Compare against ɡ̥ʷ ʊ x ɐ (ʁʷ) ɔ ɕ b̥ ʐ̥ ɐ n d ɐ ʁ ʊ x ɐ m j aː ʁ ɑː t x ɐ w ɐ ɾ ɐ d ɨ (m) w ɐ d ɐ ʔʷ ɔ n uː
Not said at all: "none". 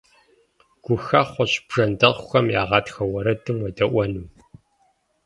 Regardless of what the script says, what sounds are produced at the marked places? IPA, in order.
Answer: χʷ, m

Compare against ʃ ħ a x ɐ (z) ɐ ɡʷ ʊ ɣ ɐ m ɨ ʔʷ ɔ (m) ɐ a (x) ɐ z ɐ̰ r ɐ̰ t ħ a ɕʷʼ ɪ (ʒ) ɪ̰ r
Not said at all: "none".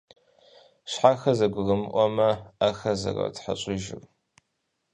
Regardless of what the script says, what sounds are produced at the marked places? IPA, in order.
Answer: z, m, x, ʒ

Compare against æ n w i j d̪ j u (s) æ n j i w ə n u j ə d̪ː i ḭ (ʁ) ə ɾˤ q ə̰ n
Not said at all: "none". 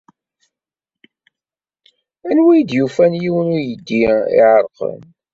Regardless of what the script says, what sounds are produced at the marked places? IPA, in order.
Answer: f, ʕ

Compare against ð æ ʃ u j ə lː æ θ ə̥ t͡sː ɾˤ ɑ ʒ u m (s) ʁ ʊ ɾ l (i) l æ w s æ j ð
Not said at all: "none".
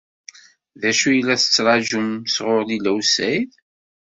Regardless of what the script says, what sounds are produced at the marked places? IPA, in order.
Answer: s, i

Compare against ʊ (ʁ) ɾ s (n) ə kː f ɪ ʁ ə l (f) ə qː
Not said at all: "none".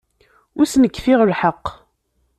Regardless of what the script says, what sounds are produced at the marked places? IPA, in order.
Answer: none, n, ħ

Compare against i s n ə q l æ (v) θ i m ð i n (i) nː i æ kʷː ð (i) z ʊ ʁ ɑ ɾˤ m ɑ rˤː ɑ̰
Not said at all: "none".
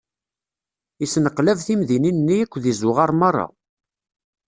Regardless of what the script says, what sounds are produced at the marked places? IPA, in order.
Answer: v, i, i

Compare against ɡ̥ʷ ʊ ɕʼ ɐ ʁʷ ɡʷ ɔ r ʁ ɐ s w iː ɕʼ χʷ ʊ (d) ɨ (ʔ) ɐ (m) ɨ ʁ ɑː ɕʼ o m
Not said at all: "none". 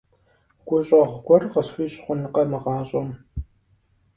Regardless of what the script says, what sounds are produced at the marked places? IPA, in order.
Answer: n, q, m

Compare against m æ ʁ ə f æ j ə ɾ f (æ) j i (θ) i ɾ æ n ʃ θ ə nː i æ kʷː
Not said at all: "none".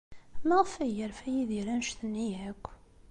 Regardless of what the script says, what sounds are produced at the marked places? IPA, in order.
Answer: æ, ð

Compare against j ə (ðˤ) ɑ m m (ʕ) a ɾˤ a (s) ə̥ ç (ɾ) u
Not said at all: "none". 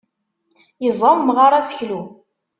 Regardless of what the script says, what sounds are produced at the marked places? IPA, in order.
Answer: zˤ, ʁ, s, l

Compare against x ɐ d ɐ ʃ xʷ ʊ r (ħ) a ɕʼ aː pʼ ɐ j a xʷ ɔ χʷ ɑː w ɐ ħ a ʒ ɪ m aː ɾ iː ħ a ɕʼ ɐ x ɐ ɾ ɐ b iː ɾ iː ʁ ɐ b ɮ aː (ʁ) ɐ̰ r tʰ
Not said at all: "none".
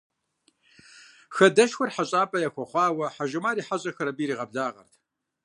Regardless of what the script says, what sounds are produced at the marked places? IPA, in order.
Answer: ħ, ʁ

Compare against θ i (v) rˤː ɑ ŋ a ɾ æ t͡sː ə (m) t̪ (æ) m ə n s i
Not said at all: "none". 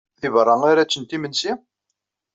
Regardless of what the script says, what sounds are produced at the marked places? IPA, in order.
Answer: v, n, i

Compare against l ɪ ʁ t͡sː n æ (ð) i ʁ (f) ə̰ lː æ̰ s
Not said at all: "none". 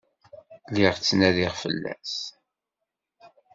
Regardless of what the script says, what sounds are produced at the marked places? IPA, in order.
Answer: ð, f

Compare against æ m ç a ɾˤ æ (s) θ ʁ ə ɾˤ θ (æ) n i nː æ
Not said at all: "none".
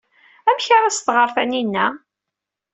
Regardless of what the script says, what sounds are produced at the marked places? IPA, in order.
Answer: s, æ

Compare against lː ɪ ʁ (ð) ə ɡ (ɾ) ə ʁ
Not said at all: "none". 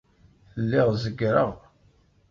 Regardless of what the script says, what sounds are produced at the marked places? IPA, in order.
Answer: z, ɾ

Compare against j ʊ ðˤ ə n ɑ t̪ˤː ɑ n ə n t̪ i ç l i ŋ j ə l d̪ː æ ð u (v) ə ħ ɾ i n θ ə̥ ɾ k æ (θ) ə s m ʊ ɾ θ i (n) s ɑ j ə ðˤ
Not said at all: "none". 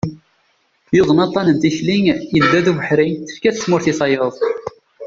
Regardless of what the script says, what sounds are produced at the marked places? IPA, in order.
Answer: v, θ, none

